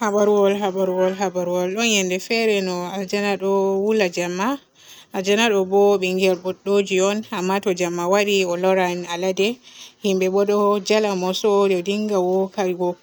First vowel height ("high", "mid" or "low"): low